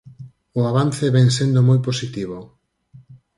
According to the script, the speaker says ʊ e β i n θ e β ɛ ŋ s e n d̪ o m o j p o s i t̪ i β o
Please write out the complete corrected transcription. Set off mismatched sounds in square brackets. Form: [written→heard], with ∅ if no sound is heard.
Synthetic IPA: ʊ [e→a] β [i→a] n θ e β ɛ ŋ s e n d̪ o m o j p o s i t̪ i β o